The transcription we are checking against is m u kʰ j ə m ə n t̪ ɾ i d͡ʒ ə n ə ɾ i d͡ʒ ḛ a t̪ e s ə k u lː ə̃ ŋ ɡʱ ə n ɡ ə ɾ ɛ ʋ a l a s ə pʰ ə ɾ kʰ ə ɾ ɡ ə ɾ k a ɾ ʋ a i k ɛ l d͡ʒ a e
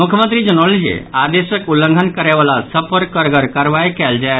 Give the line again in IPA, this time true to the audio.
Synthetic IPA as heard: m u kʰ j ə m ə n t̪ ɾ i d͡ʒ ə n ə l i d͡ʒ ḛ a d̪ e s ə k u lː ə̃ ŋ ɡʱ ə n k ə ɾ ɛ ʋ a l a s ə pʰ ə ɾ k ə ɾ ɡ ə ɾ k a ɾ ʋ a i k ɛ l d͡ʒ a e

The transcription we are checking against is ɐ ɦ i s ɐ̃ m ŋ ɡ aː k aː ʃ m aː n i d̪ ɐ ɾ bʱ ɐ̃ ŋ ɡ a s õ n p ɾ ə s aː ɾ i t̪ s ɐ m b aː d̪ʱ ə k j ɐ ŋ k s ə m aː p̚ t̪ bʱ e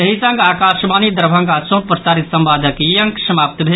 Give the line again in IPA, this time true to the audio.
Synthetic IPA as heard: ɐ ɦ i s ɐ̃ ŋ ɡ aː k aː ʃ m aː n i d̪ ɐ ɾ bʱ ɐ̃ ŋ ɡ a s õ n p ɾ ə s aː ɾ i t̪ s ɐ m b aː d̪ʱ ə k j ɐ ŋ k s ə m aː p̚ t̪ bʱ e

